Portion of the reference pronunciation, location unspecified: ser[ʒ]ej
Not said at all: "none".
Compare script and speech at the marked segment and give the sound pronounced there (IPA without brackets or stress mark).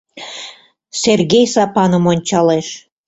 ɣ